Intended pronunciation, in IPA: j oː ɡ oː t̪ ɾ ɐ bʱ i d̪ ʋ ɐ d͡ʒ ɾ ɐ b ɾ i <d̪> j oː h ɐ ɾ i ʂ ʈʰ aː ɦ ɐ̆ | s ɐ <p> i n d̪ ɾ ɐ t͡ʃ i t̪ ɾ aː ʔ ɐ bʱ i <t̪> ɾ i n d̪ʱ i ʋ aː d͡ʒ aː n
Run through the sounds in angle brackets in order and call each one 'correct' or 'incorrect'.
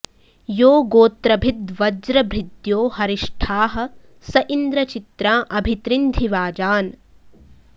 correct, incorrect: ʔ, correct

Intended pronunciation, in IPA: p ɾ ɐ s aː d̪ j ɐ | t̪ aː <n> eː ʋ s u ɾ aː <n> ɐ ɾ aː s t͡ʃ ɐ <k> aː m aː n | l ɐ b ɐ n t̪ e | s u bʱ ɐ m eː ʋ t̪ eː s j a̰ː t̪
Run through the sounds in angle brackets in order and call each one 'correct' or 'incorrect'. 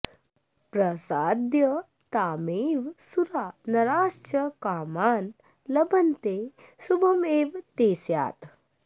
incorrect: m, correct, correct

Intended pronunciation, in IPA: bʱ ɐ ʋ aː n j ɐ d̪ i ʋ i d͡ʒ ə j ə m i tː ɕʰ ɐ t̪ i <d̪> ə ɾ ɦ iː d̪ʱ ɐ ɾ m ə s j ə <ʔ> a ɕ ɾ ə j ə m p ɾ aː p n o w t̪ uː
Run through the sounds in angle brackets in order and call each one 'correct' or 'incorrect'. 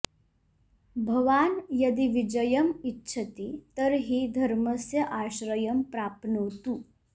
incorrect: t̪, correct

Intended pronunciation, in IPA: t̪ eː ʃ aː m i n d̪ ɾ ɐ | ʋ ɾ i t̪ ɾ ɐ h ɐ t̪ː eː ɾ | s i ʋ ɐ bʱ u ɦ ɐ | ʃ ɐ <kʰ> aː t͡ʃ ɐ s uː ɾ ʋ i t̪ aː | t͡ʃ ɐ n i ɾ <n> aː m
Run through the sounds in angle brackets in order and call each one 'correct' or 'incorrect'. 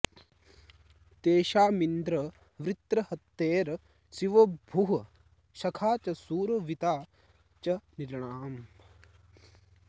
correct, incorrect: ɳ

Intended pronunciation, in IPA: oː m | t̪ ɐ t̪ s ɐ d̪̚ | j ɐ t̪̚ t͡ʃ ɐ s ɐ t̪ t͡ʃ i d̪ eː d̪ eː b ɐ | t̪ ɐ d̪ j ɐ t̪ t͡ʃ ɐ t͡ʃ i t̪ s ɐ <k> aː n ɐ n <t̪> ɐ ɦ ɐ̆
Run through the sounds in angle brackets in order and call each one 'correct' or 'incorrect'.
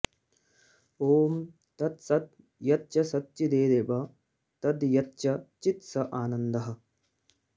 incorrect: ʔ, incorrect: d̪

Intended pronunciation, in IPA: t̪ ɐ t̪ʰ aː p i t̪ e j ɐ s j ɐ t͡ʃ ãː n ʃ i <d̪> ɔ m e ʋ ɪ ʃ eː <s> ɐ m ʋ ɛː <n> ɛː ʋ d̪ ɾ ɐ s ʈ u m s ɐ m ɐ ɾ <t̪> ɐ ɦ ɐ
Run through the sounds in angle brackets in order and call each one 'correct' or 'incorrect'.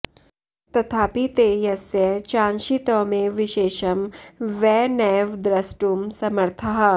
incorrect: t̪, incorrect: ʃ, correct, incorrect: t̪ʰ

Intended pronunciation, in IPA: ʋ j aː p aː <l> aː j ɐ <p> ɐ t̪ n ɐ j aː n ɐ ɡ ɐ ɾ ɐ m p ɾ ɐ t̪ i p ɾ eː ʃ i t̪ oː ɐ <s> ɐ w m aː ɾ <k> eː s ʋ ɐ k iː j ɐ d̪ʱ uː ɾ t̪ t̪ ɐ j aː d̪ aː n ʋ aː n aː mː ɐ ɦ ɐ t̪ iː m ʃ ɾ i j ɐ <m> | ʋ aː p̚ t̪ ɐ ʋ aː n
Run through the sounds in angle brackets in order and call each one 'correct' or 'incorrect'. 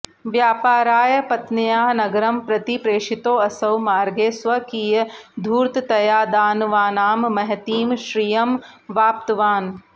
incorrect: ɾ, correct, correct, incorrect: ɡ, correct

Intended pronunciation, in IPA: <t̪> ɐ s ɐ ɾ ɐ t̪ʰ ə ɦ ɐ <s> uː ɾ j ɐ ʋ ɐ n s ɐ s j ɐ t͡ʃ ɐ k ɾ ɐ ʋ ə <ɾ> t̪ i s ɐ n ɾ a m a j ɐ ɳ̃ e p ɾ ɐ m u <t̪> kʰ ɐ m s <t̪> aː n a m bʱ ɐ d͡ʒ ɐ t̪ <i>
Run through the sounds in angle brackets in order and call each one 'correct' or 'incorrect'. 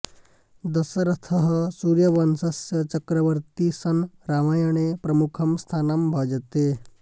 incorrect: d̪, correct, correct, incorrect: none, incorrect: t̪ʰ, incorrect: e

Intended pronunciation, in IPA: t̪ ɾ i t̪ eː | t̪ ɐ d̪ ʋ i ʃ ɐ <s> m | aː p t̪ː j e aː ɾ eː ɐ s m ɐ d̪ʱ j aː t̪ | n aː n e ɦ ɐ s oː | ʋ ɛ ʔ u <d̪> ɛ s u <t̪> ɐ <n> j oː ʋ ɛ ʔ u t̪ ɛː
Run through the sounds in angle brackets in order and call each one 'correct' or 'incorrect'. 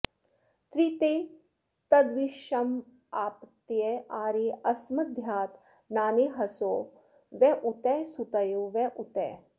incorrect: none, incorrect: t̪, correct, incorrect: none

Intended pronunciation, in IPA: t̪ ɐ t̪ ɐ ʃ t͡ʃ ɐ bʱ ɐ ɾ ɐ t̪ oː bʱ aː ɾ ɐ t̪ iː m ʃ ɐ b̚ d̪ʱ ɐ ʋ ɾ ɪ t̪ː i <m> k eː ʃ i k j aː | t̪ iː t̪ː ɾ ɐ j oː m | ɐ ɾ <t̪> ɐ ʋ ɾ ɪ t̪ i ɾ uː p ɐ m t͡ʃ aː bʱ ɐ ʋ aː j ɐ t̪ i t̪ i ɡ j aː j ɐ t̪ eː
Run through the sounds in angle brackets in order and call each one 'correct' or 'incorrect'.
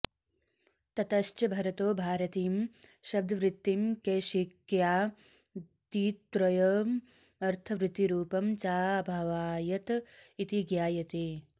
correct, incorrect: t̪ʰ

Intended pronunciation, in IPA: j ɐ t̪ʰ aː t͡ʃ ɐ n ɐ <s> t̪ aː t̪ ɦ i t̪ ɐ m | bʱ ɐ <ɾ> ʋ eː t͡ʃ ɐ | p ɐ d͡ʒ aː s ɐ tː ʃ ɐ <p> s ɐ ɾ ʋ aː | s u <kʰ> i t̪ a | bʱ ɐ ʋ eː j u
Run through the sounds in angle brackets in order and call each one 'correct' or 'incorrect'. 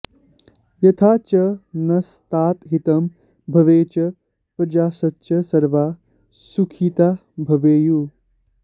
correct, incorrect: none, incorrect: none, correct

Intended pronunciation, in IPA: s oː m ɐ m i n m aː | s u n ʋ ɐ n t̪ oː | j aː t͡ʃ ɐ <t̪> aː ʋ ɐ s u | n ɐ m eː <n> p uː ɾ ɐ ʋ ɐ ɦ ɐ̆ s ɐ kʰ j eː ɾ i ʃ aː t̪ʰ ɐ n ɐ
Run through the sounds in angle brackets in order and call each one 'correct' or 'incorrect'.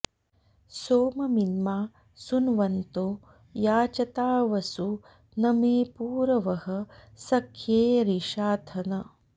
correct, incorrect: none

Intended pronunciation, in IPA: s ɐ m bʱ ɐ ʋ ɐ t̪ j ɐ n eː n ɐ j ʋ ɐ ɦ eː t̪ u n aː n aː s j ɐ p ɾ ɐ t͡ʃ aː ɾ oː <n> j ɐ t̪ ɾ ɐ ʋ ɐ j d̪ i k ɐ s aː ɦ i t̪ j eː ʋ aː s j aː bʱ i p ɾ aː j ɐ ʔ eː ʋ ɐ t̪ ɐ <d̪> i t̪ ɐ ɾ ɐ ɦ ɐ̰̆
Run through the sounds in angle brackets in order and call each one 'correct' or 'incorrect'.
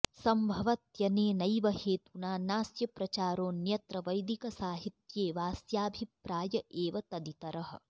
correct, correct

